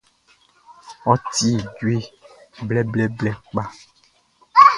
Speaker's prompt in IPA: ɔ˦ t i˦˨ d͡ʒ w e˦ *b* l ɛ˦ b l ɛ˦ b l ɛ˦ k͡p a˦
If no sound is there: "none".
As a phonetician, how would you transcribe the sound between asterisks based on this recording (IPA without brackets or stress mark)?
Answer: b